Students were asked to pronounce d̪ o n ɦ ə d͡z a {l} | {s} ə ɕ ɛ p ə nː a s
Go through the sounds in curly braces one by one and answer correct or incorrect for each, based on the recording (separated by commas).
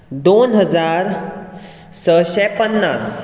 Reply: incorrect, correct